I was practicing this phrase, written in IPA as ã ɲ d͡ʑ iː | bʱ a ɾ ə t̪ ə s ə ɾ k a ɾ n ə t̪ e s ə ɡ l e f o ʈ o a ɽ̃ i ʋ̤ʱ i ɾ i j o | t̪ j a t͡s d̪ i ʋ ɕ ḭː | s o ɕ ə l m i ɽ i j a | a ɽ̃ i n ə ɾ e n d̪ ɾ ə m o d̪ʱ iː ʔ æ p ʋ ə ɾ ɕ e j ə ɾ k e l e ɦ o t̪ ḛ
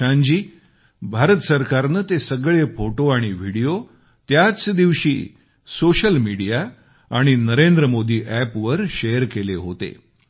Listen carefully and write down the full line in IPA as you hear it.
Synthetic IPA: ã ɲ d͡ʑ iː | bʱ a ɾ ə t̪ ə s ə ɾ k a ɾ n ə t̪ e s ə ɡ ɭ e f o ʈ o a ɽ̃ i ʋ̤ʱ i ɽ i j o | t̪ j a t͡s d̪ i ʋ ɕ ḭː | s o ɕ ə l m i ɽ i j a | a ɽ̃ i n ə ɾ e n d̪ ɾ ə m o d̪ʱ iː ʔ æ p ʋ ə ɾ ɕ e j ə ɾ k e l e ɦ o t̪ ḛ